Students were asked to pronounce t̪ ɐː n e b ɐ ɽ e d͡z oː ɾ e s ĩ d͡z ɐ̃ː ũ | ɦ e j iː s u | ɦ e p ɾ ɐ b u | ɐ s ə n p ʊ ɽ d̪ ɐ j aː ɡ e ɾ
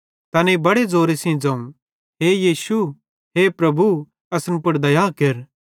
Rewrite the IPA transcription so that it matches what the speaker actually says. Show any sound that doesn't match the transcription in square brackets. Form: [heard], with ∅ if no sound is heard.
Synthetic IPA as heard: t̪ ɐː n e b ɐ ɽ e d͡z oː ɾ e s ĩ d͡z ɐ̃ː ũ | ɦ e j iː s u | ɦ e p ɾ ɐ b u | ɐ s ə n p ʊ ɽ d̪ ɐ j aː [k] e ɾ